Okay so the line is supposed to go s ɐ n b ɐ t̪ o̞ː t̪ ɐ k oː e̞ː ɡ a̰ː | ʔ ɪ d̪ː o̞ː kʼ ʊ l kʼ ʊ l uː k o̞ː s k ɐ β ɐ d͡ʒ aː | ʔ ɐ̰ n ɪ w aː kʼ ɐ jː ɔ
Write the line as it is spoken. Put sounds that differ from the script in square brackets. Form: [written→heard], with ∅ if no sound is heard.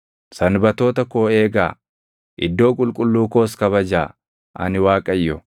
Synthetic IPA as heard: s ɐ n b ɐ t̪ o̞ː t̪ ɐ k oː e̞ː ɡ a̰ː | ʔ ɪ d̪ː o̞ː kʼ ʊ l kʼ ʊ [l→lː] uː k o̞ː s k ɐ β ɐ d͡ʒ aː | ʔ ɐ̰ n ɪ w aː kʼ ɐ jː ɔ